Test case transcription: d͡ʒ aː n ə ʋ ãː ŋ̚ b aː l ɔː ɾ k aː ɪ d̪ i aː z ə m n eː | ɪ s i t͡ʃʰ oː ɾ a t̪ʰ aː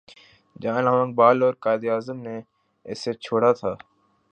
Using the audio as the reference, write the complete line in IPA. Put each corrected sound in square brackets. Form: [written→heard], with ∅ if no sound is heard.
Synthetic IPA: d͡ʒ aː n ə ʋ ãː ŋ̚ b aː l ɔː ɾ k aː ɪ d̪ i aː z ə m n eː | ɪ s [i→e] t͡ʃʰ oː [ɾ→ɽ] a t̪ʰ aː